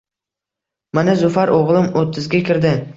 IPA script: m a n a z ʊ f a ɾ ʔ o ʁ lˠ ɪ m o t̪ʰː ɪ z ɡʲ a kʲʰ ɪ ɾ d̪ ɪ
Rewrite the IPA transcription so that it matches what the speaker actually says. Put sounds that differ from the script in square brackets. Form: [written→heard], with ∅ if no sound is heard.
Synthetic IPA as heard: m a n a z ʊ f a ɾ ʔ o ʁ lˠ ɪ m o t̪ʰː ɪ z ɡʲ a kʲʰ ɪ ɾ d̪ ɪ